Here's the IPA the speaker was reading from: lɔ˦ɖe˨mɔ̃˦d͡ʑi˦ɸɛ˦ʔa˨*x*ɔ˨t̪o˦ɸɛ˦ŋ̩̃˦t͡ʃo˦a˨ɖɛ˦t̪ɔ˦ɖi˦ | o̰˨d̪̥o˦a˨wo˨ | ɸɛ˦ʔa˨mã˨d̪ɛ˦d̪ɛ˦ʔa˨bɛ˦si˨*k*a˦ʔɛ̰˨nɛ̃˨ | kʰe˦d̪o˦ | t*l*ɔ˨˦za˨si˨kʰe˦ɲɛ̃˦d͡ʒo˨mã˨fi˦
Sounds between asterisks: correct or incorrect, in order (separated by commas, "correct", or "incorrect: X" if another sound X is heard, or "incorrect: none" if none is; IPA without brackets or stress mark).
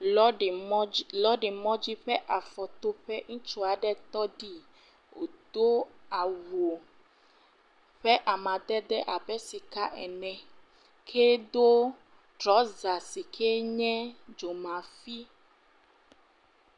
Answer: incorrect: f, correct, incorrect: ɾ